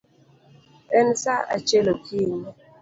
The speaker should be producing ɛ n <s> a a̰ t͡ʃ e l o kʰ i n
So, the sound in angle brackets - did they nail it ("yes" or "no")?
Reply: yes